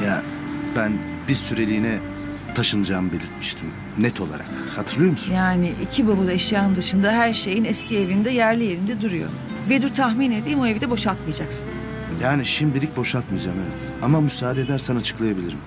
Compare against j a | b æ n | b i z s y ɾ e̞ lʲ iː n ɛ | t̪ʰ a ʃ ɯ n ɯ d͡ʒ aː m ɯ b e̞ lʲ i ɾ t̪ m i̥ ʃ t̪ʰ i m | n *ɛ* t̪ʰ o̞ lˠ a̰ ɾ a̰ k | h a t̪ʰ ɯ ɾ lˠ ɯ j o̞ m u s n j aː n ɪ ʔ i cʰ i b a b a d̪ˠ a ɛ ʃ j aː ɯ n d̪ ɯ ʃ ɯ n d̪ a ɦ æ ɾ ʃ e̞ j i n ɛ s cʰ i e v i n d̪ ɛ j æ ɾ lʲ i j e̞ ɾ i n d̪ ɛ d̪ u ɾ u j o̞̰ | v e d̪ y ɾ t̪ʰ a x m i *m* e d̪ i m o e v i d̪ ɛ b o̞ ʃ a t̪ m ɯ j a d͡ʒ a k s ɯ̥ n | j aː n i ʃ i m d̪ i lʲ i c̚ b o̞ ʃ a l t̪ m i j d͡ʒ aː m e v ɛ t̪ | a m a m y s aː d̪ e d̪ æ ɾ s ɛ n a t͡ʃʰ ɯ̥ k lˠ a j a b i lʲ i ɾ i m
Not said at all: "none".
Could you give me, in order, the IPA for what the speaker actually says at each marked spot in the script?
ɛ, n

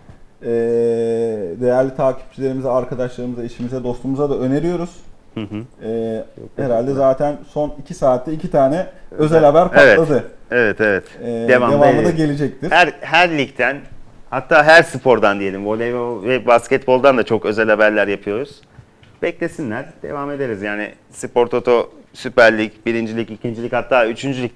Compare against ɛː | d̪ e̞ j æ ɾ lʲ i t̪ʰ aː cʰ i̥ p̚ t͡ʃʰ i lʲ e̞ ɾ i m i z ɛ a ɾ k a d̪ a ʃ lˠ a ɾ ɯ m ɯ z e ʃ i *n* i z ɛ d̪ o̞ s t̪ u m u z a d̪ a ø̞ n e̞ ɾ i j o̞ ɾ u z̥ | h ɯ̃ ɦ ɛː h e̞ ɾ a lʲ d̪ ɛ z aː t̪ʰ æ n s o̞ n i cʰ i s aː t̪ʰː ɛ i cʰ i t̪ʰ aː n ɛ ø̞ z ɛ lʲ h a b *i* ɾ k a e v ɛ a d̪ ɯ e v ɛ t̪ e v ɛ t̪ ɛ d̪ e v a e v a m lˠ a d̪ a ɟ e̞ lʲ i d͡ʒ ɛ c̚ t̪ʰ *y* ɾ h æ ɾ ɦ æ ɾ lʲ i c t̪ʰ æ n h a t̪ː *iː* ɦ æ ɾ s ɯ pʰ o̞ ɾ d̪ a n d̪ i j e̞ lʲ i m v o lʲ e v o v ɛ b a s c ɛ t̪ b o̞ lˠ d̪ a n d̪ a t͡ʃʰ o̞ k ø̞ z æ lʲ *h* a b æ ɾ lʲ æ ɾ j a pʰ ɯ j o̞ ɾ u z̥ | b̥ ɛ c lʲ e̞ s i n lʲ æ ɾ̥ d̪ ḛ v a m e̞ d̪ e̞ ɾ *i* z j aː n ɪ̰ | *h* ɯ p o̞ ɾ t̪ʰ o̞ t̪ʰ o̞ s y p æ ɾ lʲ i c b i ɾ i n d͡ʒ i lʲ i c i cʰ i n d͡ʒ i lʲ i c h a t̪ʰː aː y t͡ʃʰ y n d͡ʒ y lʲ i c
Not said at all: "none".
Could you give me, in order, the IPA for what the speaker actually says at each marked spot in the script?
m, æ, i, aː, h, i, s

